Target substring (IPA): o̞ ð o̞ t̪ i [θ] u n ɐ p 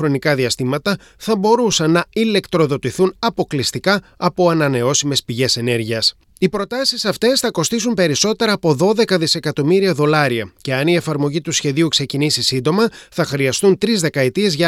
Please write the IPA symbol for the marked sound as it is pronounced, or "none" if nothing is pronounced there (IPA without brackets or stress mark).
θ